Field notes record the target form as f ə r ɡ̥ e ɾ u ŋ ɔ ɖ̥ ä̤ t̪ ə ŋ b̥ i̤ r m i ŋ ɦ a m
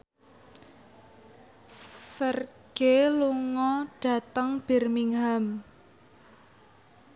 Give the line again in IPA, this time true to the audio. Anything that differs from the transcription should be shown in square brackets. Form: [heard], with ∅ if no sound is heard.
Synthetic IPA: f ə r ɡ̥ e [l] u ŋ ɔ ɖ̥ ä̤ t̪ ə ŋ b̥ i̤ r m i ŋ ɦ a m